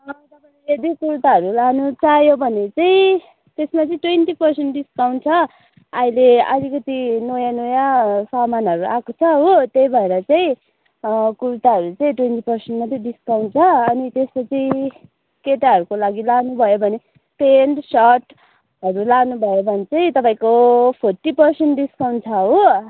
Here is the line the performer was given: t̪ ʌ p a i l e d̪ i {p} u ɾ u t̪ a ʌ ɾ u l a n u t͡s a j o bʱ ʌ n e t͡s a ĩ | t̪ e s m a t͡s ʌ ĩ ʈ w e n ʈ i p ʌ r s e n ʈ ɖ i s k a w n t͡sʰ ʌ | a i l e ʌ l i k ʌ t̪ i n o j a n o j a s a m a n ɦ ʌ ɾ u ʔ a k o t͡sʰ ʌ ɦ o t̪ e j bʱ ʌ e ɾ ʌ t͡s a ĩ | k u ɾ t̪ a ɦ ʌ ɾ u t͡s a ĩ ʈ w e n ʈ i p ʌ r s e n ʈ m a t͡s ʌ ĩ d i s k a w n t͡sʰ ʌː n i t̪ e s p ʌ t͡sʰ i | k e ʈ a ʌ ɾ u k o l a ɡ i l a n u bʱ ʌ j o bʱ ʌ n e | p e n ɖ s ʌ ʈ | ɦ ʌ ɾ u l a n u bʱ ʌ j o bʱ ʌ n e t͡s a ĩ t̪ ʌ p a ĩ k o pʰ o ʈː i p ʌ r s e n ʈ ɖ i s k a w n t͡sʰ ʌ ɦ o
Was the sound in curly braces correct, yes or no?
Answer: no